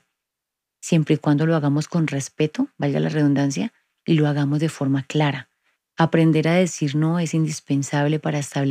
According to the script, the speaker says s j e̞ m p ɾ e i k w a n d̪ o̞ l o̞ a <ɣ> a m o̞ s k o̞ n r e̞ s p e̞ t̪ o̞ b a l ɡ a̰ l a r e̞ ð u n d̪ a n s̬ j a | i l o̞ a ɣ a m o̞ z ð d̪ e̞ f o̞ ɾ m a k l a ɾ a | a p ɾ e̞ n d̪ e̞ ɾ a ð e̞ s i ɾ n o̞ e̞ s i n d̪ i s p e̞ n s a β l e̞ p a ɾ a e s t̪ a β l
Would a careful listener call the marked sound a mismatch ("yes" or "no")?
no